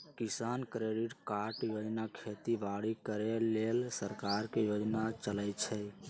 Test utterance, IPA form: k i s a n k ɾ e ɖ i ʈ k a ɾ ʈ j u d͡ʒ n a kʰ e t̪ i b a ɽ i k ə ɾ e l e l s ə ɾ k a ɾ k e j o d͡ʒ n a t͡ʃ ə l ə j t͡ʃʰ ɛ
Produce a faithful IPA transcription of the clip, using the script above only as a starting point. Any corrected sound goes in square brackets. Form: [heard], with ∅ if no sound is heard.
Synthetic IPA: k i s a n k ɾ e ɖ i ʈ k a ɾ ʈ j [o] d͡ʒ n a kʰ e t̪ i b a ɽ i k ə ɾ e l e l s ə ɾ k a ɾ k e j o d͡ʒ n a t͡ʃ ə l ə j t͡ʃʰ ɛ

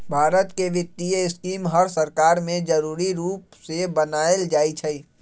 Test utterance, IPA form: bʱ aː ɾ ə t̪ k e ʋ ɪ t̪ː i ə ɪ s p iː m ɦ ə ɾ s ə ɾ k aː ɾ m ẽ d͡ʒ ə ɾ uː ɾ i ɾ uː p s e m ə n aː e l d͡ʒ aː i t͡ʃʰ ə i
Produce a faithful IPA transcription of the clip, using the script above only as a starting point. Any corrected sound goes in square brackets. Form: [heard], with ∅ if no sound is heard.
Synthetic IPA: bʱ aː ɾ ə t̪ k e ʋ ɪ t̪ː i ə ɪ s [k] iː m ɦ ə ɾ s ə ɾ k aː ɾ m ẽ d͡ʒ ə ɾ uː ɾ i ɾ uː p s e [b] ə n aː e l d͡ʒ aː i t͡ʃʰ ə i

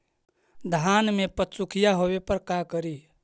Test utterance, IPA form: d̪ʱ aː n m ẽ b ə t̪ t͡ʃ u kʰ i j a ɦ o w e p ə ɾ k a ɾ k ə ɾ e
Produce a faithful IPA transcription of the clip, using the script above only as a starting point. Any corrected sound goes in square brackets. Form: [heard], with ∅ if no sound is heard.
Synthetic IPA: d̪ʱ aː n m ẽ [p] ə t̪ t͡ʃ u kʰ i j a ɦ o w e p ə ɾ k a [∅] k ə ɾ [i]

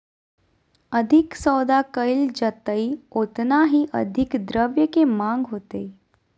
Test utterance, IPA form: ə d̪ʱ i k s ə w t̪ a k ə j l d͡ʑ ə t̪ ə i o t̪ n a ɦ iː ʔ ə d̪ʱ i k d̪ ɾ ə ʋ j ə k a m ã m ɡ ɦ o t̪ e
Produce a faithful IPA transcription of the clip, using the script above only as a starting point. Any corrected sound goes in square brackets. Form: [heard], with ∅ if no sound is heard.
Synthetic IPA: ə d̪ʱ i k s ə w [d̪] a k ə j l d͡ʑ ə t̪ ə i o t̪ n a ɦ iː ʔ ə d̪ʱ i k d̪ ɾ ə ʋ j ə k [e] m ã [ŋ] ɡ ɦ o t̪ e

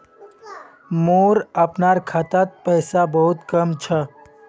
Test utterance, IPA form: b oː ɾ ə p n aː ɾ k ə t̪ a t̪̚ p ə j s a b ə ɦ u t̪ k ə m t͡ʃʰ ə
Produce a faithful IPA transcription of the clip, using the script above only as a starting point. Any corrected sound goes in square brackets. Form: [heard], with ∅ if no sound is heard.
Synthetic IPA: [m] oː ɾ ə p n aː ɾ [kʰ] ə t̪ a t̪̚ p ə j s a b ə ɦ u t̪ k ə m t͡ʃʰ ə

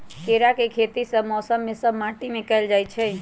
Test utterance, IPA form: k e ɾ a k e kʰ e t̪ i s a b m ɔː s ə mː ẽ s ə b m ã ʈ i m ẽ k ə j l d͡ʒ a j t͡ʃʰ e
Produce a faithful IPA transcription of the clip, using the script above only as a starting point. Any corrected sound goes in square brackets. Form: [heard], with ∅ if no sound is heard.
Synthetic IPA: k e ɾ a k e kʰ e t̪ i s [ə] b m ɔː s ə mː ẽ s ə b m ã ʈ i m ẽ k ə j l d͡ʒ a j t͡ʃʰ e

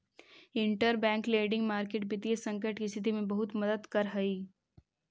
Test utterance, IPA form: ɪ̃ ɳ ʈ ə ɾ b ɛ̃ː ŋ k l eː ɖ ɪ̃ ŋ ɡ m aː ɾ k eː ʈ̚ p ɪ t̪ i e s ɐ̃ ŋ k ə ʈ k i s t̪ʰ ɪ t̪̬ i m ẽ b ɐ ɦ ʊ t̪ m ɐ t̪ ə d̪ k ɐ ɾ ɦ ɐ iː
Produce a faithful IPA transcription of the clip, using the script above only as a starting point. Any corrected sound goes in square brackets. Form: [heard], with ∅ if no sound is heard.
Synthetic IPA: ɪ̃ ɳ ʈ ə ɾ b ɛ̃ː ŋ k l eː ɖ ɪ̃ ŋ ɡ m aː ɾ k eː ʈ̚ [b] ɪ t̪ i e s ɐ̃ ŋ k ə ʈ k i s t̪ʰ ɪ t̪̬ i m ẽ b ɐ ɦ ʊ t̪ m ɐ [d̪] ə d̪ k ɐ ɾ ɦ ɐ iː

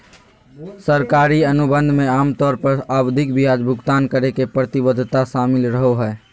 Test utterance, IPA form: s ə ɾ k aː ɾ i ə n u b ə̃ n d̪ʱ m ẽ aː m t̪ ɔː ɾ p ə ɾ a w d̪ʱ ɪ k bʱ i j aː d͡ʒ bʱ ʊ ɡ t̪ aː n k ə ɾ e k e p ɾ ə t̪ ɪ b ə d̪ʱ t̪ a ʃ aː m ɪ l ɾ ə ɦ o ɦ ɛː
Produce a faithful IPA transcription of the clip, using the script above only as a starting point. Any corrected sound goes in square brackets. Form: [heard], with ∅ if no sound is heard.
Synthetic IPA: s ə ɾ k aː ɾ i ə n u b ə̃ n d̪ʱ m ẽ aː m t̪ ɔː ɾ p ə ɾ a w d̪ʱ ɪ k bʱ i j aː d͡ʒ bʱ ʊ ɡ t̪ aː n k ə ɾ e k e p ɾ ə t̪ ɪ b ə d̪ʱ t̪ a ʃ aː m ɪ l ɾ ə ɦ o ɦ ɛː

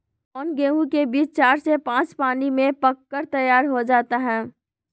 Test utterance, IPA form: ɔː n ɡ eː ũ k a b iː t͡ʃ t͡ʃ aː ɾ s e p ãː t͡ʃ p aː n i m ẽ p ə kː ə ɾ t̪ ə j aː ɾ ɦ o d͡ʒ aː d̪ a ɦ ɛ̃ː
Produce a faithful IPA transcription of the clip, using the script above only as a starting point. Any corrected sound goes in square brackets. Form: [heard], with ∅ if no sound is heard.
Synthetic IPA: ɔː n ɡ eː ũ k [e] b iː t͡ʃ t͡ʃ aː ɾ s e p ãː t͡ʃ p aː n i m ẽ p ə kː ə ɾ t̪ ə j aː ɾ ɦ o d͡ʒ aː [t̪] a ɦ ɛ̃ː

